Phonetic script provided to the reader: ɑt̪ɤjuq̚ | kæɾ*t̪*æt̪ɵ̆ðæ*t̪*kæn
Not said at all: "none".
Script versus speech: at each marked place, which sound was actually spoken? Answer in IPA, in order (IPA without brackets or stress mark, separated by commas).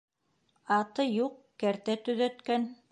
t̪, t̪